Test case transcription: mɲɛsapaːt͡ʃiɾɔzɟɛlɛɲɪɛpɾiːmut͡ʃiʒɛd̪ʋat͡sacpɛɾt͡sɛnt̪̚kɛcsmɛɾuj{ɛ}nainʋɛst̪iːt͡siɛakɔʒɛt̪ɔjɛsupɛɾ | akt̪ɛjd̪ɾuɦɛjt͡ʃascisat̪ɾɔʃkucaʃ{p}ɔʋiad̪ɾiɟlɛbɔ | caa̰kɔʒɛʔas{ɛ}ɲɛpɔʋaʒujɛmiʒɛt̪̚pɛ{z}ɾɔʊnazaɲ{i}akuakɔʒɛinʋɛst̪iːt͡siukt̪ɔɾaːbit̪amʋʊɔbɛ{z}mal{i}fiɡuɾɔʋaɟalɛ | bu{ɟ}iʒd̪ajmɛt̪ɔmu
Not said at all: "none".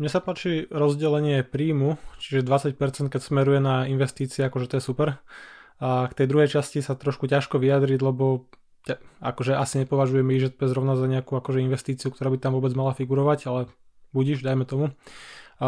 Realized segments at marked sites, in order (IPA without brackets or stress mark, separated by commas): ɛ, k, i, z, ɛ, d͡z, a, ɟ